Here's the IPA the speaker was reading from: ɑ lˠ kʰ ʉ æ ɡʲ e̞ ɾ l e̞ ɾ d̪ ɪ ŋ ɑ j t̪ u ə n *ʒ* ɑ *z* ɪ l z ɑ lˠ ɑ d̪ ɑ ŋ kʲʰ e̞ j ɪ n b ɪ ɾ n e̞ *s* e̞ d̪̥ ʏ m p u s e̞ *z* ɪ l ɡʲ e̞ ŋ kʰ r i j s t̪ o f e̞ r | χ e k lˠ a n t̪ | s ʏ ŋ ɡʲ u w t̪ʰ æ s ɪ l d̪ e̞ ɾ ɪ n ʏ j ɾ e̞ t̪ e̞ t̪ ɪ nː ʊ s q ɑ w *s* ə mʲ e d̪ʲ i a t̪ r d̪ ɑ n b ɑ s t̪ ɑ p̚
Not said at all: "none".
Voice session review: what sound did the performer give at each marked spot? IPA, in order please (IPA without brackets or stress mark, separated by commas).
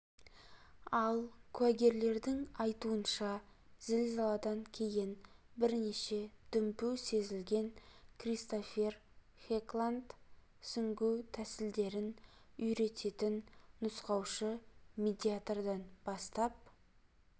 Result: ʃ, z, ʃ, z, ʃ